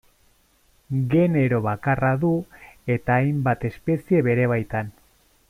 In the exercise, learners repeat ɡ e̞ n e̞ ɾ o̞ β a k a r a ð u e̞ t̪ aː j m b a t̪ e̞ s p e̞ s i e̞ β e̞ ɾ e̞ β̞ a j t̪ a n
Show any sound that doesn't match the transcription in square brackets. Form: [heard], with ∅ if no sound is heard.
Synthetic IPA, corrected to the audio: ɡ e̞ n e̞ ɾ o̞ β a k a r a ð u e̞ t̪ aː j m b a t̪ e̞ s p e̞ s i e̞ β e̞ ɾ e̞ β̞ a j t̪ a n